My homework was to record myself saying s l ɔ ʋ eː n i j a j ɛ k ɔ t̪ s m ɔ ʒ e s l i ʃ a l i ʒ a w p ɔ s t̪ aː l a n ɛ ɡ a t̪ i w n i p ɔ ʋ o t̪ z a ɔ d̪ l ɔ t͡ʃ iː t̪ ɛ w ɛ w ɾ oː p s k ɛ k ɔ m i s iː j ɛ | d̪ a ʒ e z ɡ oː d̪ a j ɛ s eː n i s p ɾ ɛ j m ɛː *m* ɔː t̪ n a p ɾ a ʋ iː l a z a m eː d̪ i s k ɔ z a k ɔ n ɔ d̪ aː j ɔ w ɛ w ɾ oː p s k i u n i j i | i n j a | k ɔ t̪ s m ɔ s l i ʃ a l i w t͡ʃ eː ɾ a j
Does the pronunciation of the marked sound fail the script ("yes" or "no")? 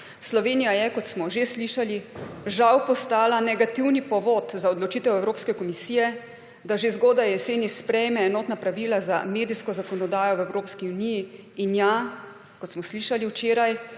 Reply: yes